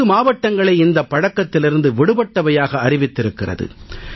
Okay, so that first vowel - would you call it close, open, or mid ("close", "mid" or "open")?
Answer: close